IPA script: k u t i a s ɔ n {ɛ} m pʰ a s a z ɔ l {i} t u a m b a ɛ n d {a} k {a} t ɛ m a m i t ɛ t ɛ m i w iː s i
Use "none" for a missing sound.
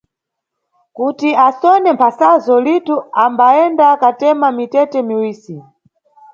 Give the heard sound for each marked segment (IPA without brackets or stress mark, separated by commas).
ɛ, i, a, a